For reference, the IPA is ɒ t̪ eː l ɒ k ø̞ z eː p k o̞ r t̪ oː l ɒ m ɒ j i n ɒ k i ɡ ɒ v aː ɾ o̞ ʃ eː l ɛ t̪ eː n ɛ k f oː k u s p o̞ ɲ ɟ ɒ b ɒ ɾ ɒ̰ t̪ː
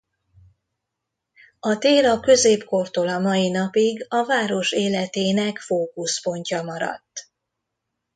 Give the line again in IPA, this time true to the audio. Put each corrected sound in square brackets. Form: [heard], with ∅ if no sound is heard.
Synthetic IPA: ɒ t̪ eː l ɒ k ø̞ z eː p k o̞ r t̪ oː l ɒ m ɒ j i n ɒ [p] i ɡ ɒ v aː ɾ o̞ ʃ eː l ɛ t̪ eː n ɛ k f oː k u s p o̞ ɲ [c] ɒ [m] ɒ ɾ ɒ̰ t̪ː

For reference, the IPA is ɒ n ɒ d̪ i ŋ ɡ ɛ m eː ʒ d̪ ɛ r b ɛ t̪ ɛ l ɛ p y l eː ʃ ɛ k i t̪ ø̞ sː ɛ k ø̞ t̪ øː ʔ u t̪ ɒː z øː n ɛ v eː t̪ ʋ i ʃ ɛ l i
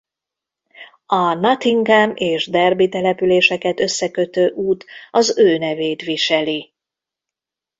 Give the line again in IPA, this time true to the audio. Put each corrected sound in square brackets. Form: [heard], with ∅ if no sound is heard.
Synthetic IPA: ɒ n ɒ [t̪] i ŋ ɡ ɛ m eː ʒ d̪ ɛ r b [i] t̪ ɛ l ɛ p y l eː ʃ ɛ k [ɛ] t̪ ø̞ sː ɛ k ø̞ t̪ øː ʔ [uː] t̪ [ɒ] z øː n ɛ v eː t̪ ʋ i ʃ ɛ l i

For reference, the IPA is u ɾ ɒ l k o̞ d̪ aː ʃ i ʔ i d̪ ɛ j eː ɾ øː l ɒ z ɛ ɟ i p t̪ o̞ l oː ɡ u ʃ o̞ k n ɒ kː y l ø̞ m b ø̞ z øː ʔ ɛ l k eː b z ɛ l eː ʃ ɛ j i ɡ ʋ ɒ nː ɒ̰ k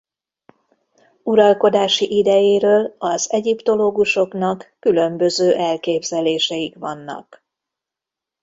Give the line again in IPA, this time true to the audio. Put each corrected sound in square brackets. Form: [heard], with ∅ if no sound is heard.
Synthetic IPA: u ɾ ɒ l k o̞ d̪ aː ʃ i ʔ i d̪ ɛ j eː ɾ øː l ɒ z ɛ ɟ i p t̪ o̞ l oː ɡ u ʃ o̞ k n ɒ kː y l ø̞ m b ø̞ z øː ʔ ɛ l k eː b z ɛ l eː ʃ ɛ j i [k] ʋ ɒ nː ɒ̰ k

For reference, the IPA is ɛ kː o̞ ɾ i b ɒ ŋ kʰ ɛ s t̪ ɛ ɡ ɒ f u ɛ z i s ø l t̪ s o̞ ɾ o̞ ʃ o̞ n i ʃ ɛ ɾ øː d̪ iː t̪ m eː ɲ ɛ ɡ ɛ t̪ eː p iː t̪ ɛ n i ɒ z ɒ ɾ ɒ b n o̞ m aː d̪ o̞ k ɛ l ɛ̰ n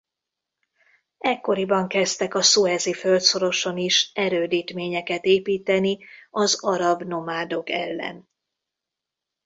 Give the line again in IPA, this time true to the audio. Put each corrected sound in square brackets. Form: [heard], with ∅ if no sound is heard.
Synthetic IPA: ɛ kː o̞ ɾ i b ɒ ŋ [k] ɛ s t̪ ɛ [k] ɒ [s] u ɛ z i [f] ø l t̪ s o̞ ɾ o̞ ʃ o̞ n i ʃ ɛ ɾ øː d̪ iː t̪ m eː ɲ ɛ [k] ɛ t̪ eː p iː t̪ ɛ n i ɒ z ɒ ɾ ɒ b n o̞ m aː d̪ o̞ k ɛ [lː] ɛ̰ n

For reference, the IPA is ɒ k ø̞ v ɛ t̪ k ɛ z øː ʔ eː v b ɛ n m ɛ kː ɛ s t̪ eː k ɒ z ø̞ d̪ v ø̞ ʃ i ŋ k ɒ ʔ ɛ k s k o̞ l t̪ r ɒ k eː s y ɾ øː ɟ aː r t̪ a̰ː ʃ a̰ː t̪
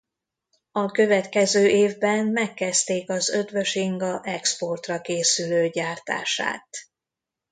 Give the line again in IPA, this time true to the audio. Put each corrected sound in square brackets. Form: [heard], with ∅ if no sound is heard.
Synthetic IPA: ɒ k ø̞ v ɛ t̪ k ɛ z øː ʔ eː v b ɛ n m ɛ kː ɛ s t̪ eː k ɒ z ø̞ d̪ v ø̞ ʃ i ŋ [ɡ] ɒ ʔ ɛ k s [p] o̞ [r] t̪ r ɒ k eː s y [l] øː ɟ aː r t̪ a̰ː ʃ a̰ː t̪

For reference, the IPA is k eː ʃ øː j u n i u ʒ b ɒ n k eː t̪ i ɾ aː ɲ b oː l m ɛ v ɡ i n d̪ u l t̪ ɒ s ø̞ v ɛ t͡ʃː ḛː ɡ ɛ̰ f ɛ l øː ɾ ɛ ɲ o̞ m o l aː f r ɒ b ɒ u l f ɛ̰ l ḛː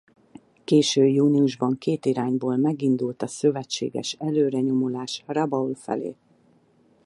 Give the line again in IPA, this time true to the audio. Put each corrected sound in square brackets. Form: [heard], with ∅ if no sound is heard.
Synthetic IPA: k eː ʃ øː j [uː] n i u ʒ b ɒ [ŋ] k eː t̪ i ɾ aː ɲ b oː l m ɛ [∅] ɡ i n d̪ u l t̪ ɒ s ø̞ v ɛ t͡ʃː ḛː ɡ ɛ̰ [ʃ] ɛ l øː ɾ ɛ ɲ o̞ m o l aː [ʃ] r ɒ b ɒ u l f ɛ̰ l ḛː

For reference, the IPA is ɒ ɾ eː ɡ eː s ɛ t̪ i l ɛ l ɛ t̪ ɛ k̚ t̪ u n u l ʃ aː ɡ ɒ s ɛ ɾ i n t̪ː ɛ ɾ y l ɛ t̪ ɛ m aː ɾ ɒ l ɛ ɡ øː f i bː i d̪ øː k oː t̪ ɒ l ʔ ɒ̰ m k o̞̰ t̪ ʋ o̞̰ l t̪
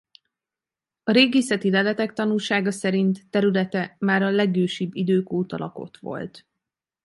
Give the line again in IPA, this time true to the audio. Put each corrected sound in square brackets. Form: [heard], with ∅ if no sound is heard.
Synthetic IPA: ɒ ɾ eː ɡ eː s ɛ t̪ i l ɛ l ɛ t̪ ɛ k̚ t̪ [ɒ] n u l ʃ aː ɡ ɒ s ɛ ɾ i n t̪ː ɛ ɾ y l ɛ t̪ ɛ m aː ɾ ɒ l ɛ ɡ øː [ʃ] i bː i d̪ øː k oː t̪ ɒ l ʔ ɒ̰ [∅] k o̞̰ t̪ ʋ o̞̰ l t̪

